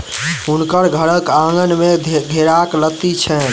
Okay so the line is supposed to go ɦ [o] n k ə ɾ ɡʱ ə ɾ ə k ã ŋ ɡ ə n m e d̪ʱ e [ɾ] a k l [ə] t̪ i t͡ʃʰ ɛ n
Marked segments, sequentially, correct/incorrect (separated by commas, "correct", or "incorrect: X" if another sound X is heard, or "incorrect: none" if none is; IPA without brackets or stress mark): incorrect: u, correct, correct